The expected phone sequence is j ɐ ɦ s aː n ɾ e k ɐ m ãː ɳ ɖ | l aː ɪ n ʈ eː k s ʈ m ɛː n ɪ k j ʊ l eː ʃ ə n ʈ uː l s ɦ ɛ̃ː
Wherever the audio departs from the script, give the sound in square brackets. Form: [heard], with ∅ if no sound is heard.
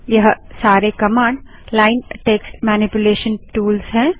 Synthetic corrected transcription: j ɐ ɦ s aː [∅] ɾ e k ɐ m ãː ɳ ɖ | l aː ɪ n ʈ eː k s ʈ m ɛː n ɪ [p] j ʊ l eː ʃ ə n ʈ uː l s ɦ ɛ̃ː